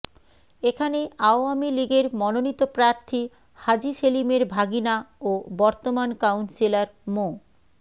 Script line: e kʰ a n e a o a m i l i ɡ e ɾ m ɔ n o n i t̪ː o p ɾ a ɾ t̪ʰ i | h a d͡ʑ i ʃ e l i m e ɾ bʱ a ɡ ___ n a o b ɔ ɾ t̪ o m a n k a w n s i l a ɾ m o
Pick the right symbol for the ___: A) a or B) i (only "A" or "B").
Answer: B